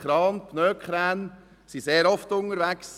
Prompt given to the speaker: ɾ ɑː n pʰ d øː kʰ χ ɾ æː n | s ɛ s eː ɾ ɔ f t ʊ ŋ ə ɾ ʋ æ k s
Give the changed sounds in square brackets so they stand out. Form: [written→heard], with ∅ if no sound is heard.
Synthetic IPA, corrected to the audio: ɾ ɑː n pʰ [d→n] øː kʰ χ ɾ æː n | s [ɛ→i] s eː ɾ ɔ f t ʊ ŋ ə ɾ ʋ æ k s